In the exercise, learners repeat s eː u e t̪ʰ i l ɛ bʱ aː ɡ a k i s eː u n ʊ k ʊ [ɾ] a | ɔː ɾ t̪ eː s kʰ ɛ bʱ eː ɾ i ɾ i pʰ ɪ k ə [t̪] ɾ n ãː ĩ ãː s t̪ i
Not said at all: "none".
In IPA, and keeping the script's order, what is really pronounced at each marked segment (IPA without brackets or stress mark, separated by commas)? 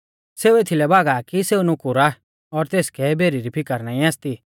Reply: ɾ, none